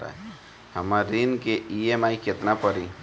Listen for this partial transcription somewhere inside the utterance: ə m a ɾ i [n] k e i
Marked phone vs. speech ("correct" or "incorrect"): correct